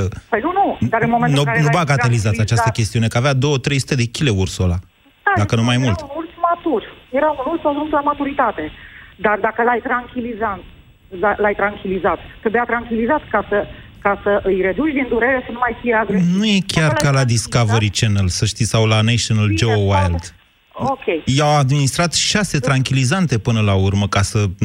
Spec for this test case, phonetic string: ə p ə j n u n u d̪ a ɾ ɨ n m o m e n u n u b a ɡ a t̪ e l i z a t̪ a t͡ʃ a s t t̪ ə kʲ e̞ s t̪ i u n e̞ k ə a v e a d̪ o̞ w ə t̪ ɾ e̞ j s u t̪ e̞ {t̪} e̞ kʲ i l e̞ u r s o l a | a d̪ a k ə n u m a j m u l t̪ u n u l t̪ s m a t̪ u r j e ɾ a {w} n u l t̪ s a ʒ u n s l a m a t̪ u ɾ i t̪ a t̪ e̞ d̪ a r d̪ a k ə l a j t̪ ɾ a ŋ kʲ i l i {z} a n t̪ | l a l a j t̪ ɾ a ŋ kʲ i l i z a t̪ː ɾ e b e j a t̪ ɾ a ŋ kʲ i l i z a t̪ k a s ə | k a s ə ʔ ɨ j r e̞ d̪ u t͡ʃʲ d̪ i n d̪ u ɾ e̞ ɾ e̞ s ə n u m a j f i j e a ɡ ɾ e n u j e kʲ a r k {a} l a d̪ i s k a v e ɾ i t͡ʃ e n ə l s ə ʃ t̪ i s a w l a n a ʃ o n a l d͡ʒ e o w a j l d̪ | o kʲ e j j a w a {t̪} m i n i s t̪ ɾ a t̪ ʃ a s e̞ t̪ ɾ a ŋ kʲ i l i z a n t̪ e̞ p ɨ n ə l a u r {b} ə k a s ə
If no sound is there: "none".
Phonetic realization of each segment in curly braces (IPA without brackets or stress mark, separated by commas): d̪, u, z, a, d̪, m